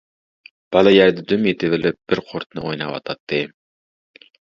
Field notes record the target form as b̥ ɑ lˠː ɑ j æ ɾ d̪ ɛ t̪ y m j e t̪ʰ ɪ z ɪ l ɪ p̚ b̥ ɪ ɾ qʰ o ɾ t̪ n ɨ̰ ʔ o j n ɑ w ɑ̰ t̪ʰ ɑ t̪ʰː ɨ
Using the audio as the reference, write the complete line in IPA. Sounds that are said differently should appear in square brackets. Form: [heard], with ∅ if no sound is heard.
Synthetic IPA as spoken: b̥ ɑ [lˠ] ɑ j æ ɾ d̪ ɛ [d̪] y m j e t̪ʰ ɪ [v] ɪ l ɪ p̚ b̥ ɪ ɾ qʰ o ɾ t̪ n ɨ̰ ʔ o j n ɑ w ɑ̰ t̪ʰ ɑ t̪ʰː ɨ